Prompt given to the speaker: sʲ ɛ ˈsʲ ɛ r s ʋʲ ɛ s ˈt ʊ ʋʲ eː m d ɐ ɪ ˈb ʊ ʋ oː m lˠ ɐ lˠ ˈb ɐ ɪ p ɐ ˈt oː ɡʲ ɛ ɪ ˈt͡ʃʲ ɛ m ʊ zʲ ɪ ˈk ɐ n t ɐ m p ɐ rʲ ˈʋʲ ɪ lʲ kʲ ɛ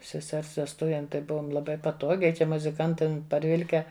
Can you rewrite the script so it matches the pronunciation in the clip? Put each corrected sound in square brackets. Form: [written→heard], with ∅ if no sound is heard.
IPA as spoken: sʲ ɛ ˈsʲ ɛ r s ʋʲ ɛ s ˈt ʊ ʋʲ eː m [d→t] ɐ ɪ ˈb ʊ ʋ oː m lˠ ɐ [lˠ→∅] ˈb ɐ ɪ p ɐ ˈt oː ɡʲ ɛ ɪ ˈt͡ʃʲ ɛ m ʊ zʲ ɪ ˈk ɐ n t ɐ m p ɐ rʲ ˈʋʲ ɪ lʲ kʲ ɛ